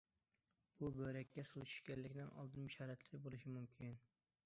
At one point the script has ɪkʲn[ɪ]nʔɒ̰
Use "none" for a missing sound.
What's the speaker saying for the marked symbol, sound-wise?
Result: ɪ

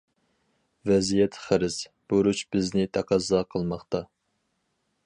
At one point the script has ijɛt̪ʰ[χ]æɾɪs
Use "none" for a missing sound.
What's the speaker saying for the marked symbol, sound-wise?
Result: χ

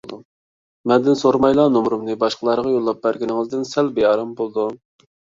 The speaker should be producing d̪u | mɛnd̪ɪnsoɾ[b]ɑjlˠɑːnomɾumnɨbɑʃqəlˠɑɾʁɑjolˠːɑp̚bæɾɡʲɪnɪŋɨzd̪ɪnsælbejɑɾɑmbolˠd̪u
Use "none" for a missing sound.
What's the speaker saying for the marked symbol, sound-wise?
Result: m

